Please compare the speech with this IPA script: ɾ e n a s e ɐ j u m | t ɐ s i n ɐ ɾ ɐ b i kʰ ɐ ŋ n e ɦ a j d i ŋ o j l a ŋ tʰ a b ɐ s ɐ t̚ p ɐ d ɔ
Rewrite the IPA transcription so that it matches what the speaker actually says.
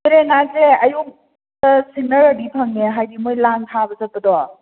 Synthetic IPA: ɾ e n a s e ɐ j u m | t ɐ s i n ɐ ɾ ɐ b i pʰ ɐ ŋ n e ɦ a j d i m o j l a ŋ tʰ a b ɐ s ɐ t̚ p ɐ d ɔ